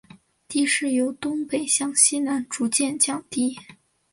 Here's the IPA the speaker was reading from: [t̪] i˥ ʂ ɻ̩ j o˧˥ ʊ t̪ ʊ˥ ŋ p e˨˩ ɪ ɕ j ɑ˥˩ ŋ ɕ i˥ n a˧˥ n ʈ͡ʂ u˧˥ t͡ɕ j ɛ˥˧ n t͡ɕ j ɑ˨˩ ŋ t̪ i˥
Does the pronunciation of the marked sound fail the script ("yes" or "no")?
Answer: no